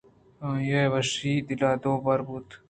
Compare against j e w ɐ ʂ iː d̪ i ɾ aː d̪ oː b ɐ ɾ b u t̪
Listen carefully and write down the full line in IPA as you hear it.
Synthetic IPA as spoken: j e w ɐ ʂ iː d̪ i l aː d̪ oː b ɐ ɾ b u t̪